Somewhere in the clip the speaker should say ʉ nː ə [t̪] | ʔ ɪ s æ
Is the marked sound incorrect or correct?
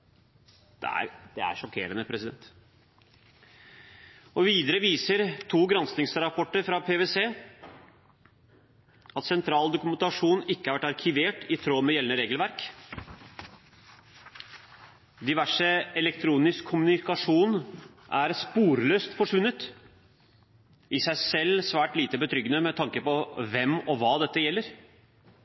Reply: correct